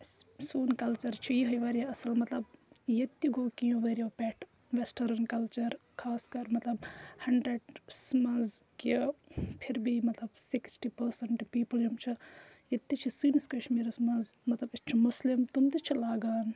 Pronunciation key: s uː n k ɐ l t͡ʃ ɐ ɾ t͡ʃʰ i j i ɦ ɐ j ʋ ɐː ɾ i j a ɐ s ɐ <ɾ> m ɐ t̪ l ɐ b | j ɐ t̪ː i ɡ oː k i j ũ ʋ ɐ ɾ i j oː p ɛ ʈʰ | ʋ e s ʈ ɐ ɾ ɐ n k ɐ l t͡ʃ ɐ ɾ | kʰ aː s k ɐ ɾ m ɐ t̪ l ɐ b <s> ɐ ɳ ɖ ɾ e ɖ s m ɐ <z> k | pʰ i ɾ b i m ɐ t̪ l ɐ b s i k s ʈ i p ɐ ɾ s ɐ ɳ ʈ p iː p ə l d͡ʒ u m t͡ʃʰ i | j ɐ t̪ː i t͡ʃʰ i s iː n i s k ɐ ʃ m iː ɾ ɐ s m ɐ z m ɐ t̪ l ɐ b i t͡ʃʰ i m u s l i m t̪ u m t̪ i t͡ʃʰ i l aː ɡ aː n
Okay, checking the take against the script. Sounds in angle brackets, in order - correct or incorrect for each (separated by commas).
incorrect, incorrect, correct